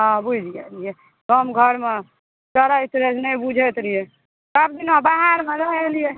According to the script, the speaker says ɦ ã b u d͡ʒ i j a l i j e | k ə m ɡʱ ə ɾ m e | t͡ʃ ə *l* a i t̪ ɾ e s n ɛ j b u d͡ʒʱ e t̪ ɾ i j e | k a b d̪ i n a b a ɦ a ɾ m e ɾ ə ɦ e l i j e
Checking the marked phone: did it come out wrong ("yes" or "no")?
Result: yes